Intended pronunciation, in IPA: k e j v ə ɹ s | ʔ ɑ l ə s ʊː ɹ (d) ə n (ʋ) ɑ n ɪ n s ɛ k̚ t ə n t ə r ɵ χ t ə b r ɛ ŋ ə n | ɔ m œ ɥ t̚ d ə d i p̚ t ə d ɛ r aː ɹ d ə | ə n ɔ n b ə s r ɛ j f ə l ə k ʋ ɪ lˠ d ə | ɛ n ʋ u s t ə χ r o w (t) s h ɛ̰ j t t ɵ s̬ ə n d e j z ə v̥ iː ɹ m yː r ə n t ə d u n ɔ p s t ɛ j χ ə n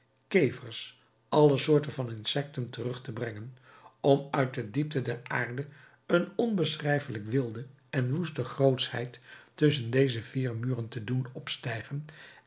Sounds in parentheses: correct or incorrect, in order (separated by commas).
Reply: incorrect, incorrect, correct